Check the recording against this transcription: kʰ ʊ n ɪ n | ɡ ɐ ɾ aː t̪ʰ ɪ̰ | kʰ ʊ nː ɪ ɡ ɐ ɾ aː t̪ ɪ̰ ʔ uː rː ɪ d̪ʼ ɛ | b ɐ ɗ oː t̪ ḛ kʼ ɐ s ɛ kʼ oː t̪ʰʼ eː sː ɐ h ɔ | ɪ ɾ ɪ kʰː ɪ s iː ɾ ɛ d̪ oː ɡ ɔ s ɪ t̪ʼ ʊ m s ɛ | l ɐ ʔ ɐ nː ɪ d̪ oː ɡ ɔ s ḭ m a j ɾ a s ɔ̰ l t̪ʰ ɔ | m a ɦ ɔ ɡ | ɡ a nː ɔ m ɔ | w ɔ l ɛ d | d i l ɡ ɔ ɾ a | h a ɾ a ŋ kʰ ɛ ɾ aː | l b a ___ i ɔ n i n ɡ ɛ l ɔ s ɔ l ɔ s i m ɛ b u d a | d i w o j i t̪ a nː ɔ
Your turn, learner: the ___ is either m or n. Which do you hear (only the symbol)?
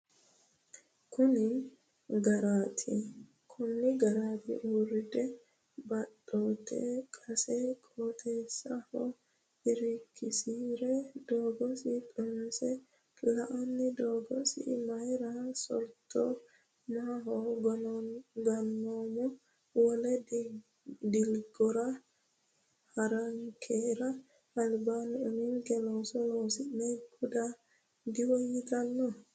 n